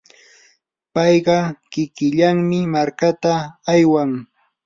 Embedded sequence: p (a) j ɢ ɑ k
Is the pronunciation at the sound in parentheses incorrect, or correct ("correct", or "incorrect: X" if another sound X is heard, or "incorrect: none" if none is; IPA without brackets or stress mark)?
incorrect: ɑ